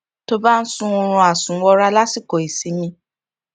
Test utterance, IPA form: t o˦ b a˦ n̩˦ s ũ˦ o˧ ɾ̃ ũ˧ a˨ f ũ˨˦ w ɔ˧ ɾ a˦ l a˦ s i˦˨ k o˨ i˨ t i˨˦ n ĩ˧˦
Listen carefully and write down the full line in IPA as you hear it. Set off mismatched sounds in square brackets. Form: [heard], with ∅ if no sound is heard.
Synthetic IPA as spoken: t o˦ b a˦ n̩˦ s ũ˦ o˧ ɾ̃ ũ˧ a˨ [s] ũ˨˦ w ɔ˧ ɾ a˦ l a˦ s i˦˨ k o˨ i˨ [s] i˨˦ [m] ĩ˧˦